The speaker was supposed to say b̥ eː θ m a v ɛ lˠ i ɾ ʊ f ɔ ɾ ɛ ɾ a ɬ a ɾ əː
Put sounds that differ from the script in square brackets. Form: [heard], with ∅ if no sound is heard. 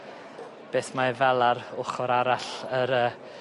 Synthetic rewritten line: b̥ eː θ m a v ɛ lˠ [a] ɾ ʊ [χ] ɔ ɾ [a] ɾ a ɬ [ə] ɾ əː